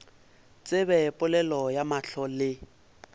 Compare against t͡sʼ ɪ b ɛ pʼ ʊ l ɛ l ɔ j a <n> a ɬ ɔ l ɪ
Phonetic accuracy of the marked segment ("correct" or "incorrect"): incorrect